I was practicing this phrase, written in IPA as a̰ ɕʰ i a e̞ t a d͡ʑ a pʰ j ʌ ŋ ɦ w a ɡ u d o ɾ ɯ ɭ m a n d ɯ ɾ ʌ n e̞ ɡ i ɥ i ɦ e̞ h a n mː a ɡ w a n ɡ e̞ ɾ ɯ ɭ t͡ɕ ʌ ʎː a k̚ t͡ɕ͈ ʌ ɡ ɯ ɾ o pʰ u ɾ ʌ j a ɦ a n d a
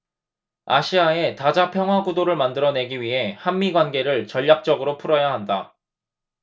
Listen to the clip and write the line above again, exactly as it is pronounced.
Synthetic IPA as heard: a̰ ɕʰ i a e̞ t a d͡ʑ a pʰ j ʌ ŋ ɦ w a ɡ u d o ɾ ɯ ɭ m a n d ɯ ɾ ʌ n e̞ ɡ i ɥ i ɦ e̞ h a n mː i ɡ w a n ɡ e̞ ɾ ɯ ɭ t͡ɕ ʌ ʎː a k̚ t͡ɕ͈ ʌ ɡ ɯ ɾ o pʰ u ɾ ʌ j a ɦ a n d a